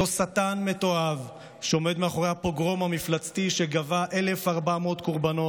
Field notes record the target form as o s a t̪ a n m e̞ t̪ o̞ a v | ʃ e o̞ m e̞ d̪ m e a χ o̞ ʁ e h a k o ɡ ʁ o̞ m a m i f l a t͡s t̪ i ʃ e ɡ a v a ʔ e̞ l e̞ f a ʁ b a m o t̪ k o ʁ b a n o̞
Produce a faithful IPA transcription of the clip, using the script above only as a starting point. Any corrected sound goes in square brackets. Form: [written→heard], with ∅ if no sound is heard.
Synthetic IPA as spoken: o s a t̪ a n m e̞ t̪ o̞ a v | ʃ e o̞ m e̞ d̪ m e a χ o̞ ʁ e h a [k→p] o ɡ ʁ o̞ m a m i f l a t͡s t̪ i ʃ e ɡ a v a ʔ e̞ l e̞ f a ʁ b a m o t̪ k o ʁ b a n o̞